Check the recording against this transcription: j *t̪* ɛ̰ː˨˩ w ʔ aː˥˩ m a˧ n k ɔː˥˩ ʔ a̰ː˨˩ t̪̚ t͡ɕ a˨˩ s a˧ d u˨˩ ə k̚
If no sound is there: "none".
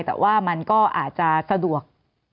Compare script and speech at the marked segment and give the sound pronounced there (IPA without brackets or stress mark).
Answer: t̪